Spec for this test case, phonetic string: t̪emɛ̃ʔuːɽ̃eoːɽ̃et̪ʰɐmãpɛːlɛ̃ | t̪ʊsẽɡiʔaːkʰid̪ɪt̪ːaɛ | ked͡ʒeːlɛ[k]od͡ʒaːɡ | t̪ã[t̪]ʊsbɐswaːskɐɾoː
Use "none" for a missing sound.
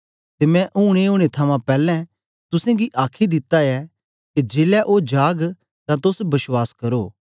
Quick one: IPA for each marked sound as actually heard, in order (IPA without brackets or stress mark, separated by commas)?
ʔ, t̪